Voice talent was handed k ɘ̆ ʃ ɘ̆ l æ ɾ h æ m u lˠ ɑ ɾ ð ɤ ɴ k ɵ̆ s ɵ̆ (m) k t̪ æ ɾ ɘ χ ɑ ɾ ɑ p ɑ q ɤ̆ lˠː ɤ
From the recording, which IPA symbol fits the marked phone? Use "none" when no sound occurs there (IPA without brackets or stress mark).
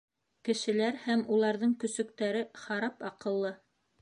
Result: none